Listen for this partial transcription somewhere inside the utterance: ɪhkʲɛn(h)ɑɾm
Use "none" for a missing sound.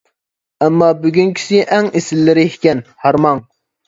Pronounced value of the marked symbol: h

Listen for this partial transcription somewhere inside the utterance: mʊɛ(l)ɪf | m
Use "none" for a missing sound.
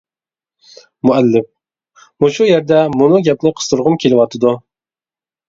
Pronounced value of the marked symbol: lː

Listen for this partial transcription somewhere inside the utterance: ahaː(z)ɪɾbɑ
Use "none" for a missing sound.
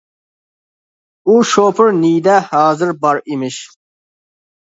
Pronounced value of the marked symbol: z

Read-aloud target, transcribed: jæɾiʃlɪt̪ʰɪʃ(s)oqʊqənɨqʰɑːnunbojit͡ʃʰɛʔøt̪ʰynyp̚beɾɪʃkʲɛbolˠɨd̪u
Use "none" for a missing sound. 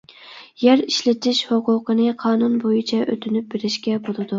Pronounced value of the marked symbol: h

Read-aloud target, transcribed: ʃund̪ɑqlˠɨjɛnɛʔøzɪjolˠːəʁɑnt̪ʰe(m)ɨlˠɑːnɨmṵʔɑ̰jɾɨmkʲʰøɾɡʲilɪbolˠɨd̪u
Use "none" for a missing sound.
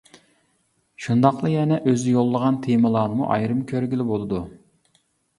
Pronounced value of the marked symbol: m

